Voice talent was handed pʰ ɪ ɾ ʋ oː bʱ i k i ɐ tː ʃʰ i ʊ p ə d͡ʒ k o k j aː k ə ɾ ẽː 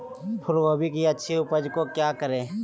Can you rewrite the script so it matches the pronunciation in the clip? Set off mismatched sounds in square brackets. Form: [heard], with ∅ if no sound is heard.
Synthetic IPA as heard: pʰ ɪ ɾ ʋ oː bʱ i k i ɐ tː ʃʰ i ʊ p ə d͡ʒ k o k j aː k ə ɾ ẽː

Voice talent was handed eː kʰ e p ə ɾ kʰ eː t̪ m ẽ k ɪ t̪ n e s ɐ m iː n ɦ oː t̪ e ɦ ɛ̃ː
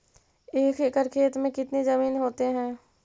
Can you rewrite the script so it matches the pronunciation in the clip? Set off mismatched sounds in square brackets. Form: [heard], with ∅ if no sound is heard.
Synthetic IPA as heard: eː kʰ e [k] ə ɾ kʰ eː t̪ m ẽ k ɪ t̪ n e [z] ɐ m iː n ɦ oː t̪ e ɦ ɛ̃ː

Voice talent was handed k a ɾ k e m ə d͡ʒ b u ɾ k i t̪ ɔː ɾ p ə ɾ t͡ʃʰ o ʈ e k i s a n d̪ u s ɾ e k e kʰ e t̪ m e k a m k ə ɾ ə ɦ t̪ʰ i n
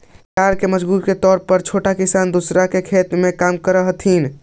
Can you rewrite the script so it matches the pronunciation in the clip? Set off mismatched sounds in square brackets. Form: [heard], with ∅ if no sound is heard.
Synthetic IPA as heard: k a ɾ k e m ə d͡ʒ b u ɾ k [e] t̪ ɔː ɾ p ə ɾ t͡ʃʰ o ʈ [a] k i s a n d̪ u s ɾ [a] k e kʰ e t̪ m e k a m k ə ɾ ə ɦ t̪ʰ i n

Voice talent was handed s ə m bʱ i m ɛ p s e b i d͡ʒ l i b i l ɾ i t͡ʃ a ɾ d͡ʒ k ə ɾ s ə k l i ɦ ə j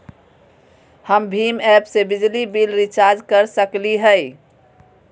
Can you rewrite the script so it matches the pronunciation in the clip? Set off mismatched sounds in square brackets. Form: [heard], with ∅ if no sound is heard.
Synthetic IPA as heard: [h] ə m bʱ i m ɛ p s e b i d͡ʒ l i b i l ɾ i t͡ʃ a ɾ d͡ʒ k ə ɾ s ə k l i ɦ ə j

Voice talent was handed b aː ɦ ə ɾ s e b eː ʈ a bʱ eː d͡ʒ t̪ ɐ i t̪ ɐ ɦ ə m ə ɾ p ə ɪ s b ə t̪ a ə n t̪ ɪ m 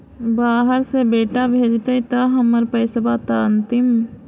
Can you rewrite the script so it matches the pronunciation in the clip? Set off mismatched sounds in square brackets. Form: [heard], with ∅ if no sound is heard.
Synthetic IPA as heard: b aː ɦ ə ɾ s e b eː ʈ a bʱ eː d͡ʒ t̪ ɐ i t̪ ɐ ɦ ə m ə ɾ p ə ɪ s b [a] t̪ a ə n t̪ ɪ m

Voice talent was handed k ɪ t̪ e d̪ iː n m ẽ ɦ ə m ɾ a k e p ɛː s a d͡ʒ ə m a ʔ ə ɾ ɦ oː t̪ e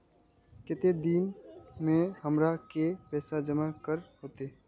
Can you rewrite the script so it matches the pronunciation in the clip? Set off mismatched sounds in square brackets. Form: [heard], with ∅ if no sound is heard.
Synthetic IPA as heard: k ɪ t̪ e d̪ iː n m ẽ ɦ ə m ɾ a k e p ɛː s a d͡ʒ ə m a [k] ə ɾ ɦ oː t̪ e

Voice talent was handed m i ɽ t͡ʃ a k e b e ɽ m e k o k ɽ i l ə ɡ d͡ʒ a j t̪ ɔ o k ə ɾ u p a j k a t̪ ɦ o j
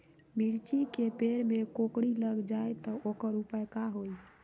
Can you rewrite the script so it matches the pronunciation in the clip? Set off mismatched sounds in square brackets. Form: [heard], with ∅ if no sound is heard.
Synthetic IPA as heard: m i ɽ t͡ʃ [i] k e [p] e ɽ m e k o k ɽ i l ə ɡ d͡ʒ a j t̪ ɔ o k ə ɾ u p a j k a [∅] ɦ o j

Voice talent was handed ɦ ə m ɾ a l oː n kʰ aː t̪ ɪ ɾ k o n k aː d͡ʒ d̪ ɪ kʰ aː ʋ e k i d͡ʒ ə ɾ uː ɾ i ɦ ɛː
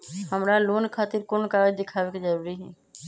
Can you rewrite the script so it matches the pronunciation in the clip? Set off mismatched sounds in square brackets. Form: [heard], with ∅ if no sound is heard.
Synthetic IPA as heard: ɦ ə m ɾ a l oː n kʰ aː t̪ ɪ ɾ k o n k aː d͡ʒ d̪ ɪ kʰ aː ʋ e k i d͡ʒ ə ɾ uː ɾ i ɦ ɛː

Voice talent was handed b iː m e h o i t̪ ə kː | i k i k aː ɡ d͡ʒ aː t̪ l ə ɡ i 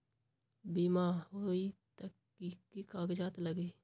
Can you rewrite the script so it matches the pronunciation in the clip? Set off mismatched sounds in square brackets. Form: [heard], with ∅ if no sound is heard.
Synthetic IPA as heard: b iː m [a] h o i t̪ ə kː | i k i k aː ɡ d͡ʒ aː t̪ l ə ɡ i

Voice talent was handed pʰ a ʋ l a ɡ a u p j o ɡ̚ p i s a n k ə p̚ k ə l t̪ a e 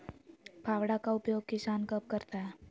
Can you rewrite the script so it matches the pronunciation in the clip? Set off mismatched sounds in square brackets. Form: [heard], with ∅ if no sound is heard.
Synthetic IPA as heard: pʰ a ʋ [ɽ] a [k] a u p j o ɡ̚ [k] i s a n k ə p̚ k ə [ɾ] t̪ a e

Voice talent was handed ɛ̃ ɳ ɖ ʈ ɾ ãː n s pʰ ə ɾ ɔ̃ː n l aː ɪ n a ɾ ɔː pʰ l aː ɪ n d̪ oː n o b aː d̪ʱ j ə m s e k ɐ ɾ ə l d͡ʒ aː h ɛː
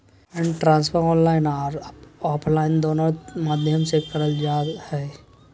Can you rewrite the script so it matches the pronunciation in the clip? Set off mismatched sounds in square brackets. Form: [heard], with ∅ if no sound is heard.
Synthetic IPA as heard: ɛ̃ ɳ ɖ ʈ ɾ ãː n s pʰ ə ɾ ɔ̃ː n l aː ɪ n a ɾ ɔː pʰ l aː ɪ n d̪ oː n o [m] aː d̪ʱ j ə m s e k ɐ ɾ ə l d͡ʒ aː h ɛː

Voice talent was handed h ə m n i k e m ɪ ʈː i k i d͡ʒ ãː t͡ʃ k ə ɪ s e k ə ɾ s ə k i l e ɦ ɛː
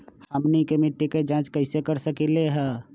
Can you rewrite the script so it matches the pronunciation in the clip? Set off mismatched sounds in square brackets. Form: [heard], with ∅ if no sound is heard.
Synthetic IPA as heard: h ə m n i k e m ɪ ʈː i k [e] d͡ʒ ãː t͡ʃ k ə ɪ s e k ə ɾ s ə k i l e ɦ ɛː

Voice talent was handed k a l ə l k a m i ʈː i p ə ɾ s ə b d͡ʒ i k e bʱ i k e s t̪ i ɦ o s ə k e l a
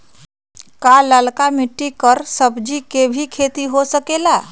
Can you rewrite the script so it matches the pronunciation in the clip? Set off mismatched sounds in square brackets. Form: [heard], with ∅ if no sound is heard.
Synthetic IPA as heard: k a l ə l k a m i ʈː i [k] ə ɾ s ə b d͡ʒ i k e bʱ i [kʰ] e [∅] t̪ i ɦ o s ə k e l a

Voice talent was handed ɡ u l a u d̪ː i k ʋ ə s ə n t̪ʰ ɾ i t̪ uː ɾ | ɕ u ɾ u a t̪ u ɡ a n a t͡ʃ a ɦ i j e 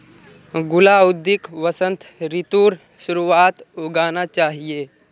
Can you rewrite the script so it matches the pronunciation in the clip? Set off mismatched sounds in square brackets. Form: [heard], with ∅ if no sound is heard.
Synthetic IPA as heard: ɡ u l a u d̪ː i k ʋ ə s ə n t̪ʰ ɾ i t̪ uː ɾ | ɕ u ɾ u a t̪ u ɡ a n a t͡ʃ a ɦ i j e

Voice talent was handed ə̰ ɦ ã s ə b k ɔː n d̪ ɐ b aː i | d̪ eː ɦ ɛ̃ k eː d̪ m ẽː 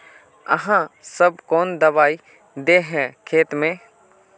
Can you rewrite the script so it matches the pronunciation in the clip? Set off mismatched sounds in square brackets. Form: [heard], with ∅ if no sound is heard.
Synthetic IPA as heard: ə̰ ɦ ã s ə b k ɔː n d̪ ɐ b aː i | d̪ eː ɦ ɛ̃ [kʰ] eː [t̪] m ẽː

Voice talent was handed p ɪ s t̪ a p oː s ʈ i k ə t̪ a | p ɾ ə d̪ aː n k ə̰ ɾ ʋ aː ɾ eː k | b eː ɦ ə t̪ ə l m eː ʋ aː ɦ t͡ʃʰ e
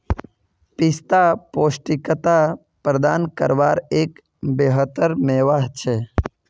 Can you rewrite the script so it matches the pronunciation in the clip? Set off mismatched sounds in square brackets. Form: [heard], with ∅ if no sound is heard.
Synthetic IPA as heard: p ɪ s t̪ a p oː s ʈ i k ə t̪ a | p ɾ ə d̪ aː n k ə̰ ɾ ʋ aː ɾ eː k | b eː ɦ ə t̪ ə [ɾ] m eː ʋ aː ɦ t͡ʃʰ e

